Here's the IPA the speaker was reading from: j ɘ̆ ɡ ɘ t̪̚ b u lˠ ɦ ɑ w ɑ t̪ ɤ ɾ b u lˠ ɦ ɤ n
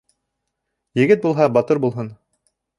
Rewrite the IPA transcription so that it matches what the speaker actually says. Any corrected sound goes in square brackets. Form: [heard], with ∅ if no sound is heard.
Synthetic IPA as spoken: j ɘ̆ ɡ ɘ t̪̚ b u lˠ ɦ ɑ [b] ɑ t̪ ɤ ɾ b u lˠ ɦ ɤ n